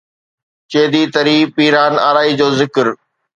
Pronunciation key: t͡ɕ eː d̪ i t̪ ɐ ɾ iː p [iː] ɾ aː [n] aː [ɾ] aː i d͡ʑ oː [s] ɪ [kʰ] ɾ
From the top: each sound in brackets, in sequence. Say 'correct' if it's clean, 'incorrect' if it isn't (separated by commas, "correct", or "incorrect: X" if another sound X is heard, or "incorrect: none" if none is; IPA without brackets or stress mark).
correct, correct, correct, incorrect: z, incorrect: k